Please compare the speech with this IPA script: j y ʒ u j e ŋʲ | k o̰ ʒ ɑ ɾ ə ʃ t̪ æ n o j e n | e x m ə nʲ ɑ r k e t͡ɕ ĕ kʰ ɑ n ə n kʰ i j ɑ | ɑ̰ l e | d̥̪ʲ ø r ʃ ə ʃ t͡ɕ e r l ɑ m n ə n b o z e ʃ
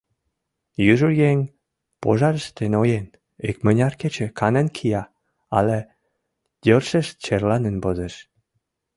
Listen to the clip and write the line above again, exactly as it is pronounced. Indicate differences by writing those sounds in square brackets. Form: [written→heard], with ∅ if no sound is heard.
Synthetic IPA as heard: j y ʒ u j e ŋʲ | [k→p] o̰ ʒ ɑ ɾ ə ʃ t̪ [æ→e] n o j e n | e [x→k] m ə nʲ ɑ r k e t͡ɕ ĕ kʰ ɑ n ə n kʰ i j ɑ | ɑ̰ l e | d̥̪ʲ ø r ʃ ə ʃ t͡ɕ e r l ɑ [m→∅] n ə n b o z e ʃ